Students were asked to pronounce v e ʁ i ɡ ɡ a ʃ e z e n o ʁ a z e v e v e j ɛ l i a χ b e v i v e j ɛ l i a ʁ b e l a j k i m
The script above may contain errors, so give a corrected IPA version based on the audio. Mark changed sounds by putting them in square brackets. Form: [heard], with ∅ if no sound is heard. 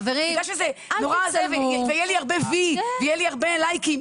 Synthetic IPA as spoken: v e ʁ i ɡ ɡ a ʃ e z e n o ʁ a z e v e v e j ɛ l i a [ʁ] b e v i v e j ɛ l i a ʁ b e l a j k i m